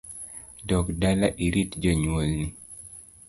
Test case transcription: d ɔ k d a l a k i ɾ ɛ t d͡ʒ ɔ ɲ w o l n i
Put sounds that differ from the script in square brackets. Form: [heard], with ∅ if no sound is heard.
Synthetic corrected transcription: d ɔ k d a l a [ʔ] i ɾ [i] t d͡ʒ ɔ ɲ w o l n i